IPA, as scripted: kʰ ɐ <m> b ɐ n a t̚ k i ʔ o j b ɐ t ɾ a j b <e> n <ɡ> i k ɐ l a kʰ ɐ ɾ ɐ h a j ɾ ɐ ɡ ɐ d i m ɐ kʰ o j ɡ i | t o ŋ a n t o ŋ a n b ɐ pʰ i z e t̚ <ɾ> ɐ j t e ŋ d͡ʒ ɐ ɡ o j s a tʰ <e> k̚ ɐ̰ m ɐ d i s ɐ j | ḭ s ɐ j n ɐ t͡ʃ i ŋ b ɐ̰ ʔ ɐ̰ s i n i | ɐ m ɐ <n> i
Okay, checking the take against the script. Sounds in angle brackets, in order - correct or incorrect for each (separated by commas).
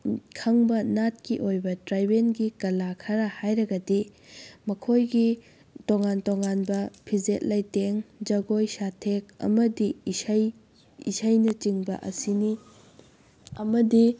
incorrect, correct, correct, incorrect, correct, incorrect